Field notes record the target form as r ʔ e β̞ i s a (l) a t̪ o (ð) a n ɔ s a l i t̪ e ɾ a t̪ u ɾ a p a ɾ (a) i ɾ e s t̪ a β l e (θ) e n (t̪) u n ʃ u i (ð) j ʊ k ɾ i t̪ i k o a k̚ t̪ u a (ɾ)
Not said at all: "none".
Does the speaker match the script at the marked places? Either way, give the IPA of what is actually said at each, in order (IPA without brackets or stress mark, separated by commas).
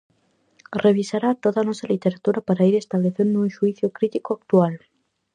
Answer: ɾ, ð, a, θ, d̪, θ, l